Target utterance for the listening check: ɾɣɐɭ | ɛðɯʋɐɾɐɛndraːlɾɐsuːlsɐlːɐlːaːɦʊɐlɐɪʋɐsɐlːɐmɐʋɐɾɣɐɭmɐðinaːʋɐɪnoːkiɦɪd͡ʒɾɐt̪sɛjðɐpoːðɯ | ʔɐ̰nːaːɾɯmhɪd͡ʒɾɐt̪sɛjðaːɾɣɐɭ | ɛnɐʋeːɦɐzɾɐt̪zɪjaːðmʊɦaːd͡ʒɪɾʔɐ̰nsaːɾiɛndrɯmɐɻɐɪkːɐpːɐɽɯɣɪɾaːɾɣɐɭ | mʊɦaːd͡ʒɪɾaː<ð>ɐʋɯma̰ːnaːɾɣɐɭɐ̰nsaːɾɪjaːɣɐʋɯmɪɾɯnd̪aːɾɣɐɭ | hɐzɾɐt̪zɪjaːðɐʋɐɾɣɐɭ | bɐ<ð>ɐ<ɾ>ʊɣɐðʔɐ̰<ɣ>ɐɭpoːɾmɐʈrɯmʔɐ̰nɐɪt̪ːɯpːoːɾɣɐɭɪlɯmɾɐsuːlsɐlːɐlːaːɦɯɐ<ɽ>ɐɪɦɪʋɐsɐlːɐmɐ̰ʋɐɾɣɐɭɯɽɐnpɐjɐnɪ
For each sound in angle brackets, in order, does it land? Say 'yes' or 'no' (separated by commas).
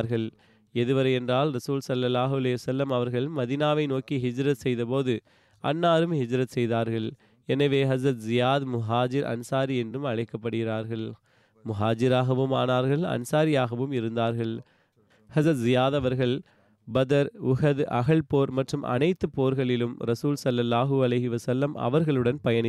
no, yes, yes, yes, no